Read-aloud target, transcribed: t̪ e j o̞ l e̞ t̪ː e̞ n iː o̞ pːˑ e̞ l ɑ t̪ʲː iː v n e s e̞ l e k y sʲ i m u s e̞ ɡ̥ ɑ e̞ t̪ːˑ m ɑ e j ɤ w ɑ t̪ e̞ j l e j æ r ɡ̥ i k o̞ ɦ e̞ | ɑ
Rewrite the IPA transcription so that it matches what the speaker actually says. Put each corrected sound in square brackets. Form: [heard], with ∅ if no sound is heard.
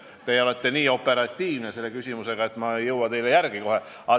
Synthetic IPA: t̪ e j o̞ l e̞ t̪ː e̞ n iː o̞ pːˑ e̞ [ɾ] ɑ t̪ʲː iː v n e s e̞ [lː] e k y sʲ i m u s e̞ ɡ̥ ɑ e̞ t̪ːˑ m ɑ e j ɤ w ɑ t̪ e̞ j l e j æ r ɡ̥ i k o̞ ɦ e̞ | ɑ